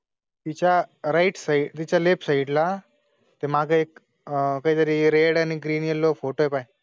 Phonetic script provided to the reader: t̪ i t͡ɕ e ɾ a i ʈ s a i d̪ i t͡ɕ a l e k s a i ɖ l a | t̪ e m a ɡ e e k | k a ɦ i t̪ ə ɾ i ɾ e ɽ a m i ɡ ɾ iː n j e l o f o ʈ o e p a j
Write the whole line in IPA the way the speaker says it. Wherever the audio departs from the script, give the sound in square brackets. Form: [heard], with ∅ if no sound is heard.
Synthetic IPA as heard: t̪ i t͡ɕ [a] ɾ a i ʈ s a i [t̪] i t͡ɕ a l e [p] s a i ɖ l a | t̪ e m a ɡ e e k | k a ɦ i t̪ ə ɾ i ɾ e ɽ a [n] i ɡ ɾ iː n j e l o f o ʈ o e p a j